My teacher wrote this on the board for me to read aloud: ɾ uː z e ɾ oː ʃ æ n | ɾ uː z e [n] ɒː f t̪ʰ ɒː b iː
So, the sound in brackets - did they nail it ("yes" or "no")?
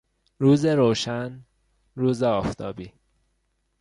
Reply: no